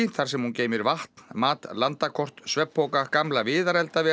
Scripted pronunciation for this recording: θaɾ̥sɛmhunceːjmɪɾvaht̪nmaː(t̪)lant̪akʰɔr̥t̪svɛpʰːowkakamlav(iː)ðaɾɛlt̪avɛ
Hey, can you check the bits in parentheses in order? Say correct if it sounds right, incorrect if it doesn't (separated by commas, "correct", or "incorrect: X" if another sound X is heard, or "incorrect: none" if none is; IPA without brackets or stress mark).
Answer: correct, incorrect: ɪː